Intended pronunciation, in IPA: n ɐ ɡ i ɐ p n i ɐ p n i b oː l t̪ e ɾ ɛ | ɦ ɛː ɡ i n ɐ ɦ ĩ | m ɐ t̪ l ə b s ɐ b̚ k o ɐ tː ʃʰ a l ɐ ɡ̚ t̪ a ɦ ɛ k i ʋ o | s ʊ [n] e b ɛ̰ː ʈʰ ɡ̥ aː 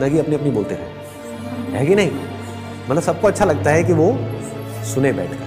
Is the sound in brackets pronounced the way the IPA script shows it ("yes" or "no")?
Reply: yes